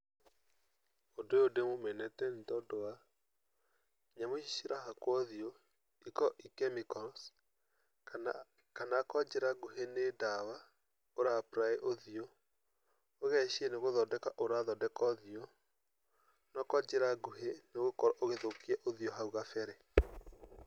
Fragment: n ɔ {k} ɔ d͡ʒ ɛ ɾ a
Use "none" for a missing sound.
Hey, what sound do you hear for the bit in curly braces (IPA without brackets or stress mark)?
k